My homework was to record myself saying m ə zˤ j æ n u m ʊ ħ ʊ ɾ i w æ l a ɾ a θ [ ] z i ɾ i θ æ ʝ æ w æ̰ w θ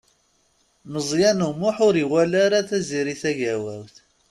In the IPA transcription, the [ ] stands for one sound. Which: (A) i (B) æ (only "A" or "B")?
B